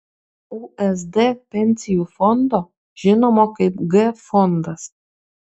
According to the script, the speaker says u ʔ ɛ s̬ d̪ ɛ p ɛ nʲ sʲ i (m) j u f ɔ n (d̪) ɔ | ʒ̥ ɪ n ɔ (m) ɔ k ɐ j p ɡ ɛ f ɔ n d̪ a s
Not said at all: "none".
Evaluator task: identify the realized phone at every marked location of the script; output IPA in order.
none, d̪, m

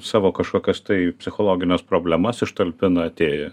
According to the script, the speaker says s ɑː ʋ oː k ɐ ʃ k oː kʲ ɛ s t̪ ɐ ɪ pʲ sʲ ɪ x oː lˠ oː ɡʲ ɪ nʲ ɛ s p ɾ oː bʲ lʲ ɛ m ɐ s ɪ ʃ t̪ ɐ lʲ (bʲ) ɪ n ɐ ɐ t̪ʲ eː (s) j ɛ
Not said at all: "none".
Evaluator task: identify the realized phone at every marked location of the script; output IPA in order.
pʲ, none

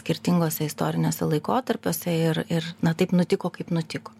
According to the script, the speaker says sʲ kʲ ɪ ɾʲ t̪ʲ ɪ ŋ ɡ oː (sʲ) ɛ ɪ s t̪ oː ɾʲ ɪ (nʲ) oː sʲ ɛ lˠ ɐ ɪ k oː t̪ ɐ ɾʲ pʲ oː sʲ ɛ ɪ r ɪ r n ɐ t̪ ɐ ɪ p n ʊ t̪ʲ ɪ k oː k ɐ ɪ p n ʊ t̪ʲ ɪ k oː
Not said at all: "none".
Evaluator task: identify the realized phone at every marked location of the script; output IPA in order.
sʲ, nʲ

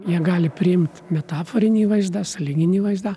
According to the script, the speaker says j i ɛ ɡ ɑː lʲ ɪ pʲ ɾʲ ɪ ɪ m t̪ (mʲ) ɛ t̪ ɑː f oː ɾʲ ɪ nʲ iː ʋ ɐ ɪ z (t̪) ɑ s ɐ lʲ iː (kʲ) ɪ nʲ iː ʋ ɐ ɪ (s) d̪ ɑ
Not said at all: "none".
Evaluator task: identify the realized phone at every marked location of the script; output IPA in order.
mʲ, d̪, ɡʲ, z

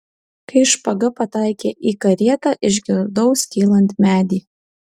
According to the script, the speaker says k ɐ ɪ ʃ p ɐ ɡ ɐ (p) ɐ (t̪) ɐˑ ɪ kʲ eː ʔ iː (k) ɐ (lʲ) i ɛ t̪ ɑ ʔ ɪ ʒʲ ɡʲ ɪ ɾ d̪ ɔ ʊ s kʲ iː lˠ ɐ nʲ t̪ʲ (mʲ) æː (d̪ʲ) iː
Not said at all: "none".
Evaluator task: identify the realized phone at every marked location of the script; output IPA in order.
p, t̪, k, ɾʲ, mʲ, d̪ʲ

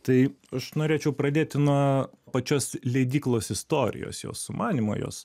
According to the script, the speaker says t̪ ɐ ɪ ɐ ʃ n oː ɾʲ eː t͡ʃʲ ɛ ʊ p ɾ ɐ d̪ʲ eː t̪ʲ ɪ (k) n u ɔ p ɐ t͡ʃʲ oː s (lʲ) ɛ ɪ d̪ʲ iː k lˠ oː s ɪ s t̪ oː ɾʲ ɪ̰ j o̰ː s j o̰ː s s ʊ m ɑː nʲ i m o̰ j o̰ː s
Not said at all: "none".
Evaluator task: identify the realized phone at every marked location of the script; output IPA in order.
none, lʲ

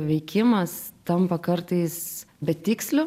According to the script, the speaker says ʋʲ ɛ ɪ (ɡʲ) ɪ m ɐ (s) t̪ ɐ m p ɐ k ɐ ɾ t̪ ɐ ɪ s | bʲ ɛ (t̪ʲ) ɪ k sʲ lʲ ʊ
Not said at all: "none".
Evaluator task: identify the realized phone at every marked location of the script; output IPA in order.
kʲ, s, t̪ʲ

